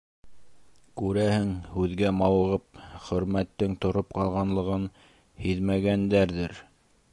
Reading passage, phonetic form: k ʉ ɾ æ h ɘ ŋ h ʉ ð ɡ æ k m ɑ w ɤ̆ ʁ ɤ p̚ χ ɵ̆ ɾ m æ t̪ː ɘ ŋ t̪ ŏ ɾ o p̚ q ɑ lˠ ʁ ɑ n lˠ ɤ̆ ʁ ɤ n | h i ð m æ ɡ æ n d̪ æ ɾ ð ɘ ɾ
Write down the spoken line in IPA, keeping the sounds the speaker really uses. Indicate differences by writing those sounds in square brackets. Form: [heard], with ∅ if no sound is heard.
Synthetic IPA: k ʉ ɾ æ h ɘ ŋ h ʉ ð ɡ æ [∅] m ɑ w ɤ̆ ʁ ɤ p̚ χ ɵ̆ ɾ m æ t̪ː ɘ ŋ t̪ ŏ ɾ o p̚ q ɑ lˠ ʁ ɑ n lˠ ɤ̆ ʁ ɤ n | h i ð m æ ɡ æ n d̪ æ ɾ ð ɘ ɾ